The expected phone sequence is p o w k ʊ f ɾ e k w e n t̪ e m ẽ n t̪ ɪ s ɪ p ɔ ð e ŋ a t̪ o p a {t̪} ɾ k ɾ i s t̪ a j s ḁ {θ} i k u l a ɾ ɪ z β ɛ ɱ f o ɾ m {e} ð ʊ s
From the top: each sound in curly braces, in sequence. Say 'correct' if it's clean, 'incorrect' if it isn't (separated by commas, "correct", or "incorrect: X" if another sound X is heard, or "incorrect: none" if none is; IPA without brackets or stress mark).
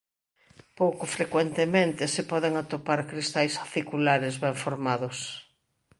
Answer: incorrect: none, correct, incorrect: a